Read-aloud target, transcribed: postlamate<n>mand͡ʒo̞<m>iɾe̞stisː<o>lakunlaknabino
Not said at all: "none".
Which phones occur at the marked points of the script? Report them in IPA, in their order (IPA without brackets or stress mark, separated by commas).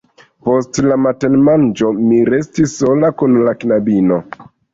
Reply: n, m, o